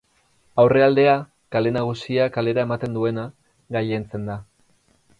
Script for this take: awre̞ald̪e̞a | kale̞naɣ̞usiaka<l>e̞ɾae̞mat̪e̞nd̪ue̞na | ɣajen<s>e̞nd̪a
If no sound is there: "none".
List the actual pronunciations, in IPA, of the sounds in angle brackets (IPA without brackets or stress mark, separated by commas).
l, t͡s